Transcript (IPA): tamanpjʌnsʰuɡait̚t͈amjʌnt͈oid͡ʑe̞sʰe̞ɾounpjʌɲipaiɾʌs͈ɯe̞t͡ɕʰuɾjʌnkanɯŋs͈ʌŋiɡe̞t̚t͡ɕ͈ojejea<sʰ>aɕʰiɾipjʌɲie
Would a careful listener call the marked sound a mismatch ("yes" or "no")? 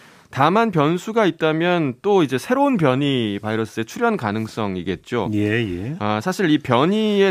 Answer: no